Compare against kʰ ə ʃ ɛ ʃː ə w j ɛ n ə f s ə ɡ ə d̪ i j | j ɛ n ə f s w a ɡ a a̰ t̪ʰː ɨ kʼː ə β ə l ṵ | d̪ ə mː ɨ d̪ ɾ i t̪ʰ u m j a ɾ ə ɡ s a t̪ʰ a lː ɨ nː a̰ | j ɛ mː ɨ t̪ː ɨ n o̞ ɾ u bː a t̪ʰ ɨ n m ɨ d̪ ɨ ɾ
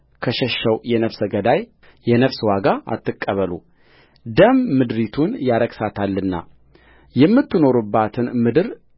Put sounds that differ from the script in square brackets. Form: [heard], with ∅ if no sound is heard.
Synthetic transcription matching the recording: kʰ ə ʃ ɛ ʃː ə w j ɛ n ə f s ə ɡ ə d̪ [a] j | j ɛ n ə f s w a ɡ a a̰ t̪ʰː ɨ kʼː ə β ə l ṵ | d̪ ə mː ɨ d̪ ɾ i t̪ʰ u [n] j a ɾ ə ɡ s a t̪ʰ a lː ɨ nː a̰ | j ɛ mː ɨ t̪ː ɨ n o̞ ɾ u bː a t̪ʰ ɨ n m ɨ d̪ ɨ ɾ